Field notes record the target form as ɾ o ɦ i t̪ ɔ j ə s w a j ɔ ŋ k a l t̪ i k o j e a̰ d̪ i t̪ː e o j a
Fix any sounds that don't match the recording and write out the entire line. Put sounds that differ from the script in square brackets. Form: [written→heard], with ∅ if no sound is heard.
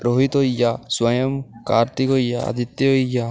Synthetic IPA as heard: ɾ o ɦ i t̪ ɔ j [ə→a] s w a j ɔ [ŋ→m] k a [l→ɾ] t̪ i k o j [e→a] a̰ d̪ i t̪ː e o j a